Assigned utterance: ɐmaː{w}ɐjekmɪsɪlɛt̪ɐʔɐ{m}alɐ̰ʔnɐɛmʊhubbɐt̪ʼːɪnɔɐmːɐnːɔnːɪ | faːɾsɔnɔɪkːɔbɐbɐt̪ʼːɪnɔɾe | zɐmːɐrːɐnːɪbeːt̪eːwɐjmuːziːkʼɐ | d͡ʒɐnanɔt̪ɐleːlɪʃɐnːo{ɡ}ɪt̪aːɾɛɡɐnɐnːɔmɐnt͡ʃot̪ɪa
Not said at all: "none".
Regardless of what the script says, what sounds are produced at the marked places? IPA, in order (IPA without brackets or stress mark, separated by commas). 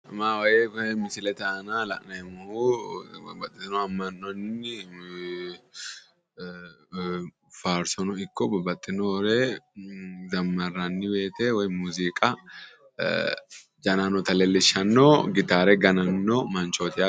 w, n, ɡ